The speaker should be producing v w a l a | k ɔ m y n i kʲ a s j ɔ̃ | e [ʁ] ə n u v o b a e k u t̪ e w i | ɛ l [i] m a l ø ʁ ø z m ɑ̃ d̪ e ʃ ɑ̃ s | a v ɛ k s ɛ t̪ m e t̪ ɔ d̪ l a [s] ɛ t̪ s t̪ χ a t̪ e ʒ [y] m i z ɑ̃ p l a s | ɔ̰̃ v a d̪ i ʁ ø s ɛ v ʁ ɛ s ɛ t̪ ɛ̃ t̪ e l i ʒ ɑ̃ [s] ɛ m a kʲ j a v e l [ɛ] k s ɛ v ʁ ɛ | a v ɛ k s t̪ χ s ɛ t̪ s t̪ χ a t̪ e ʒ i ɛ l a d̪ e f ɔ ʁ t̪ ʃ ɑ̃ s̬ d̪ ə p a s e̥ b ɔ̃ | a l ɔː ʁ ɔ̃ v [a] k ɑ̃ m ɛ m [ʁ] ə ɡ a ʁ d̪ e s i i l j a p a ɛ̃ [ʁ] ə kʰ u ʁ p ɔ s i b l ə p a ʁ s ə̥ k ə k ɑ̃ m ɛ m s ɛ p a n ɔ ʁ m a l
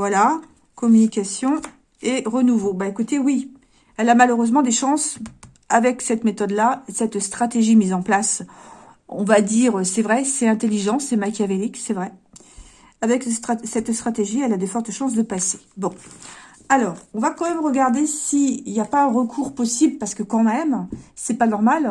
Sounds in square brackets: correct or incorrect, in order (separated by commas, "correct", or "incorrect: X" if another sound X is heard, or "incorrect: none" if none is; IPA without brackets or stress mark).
correct, incorrect: a, correct, incorrect: i, correct, incorrect: i, correct, correct, correct